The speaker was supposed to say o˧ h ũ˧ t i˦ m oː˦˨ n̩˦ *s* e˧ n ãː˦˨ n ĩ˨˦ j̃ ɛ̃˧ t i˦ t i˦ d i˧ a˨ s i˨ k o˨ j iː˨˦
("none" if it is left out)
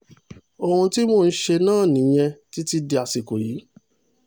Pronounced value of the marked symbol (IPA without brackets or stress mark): ʃ